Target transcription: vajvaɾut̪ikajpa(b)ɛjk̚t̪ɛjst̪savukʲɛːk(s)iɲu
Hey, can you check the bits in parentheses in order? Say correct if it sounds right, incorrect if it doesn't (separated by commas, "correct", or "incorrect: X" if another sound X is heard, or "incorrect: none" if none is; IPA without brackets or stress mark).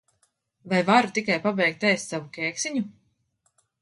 correct, correct